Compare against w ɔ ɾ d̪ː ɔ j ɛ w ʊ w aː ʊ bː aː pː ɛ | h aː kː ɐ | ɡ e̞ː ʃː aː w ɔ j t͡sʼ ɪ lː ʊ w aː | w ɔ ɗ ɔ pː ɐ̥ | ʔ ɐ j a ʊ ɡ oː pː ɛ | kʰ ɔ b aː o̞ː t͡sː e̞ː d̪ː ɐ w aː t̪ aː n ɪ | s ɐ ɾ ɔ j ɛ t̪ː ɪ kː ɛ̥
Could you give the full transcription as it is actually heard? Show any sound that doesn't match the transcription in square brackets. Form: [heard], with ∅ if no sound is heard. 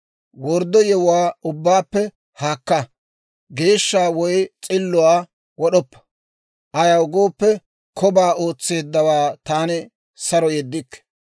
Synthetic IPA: w ɔ ɾ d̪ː ɔ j ɛ w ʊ w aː ʊ bː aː pː ɛ | h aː kː ɐ | ɡ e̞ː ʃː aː w ɔ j t͡sʼ ɪ lː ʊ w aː | w ɔ ɗ ɔ pː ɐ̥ | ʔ ɐ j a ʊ ɡ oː pː ɛ | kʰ ɔ b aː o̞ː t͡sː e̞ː d̪ː ɐ w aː t̪ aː n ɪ | s ɐ ɾ ɔ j ɛ [d̪ː] ɪ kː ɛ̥